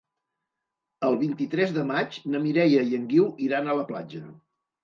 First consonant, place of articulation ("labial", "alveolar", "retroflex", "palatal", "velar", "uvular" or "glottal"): alveolar